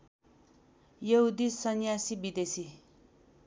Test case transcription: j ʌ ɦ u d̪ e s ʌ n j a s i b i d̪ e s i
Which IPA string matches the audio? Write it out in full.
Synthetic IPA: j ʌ ɦ u d̪ i s ʌ n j a s i b i d̪ e s i